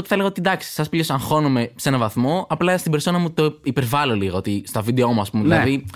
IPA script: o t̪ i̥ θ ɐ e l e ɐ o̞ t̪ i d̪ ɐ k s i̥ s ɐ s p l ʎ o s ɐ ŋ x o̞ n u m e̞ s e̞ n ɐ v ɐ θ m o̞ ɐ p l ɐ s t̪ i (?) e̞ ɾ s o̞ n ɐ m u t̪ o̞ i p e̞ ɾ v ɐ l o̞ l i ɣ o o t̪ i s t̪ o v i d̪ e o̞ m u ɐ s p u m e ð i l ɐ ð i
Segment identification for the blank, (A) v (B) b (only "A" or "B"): B